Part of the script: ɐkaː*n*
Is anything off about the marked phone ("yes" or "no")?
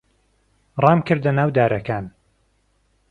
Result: no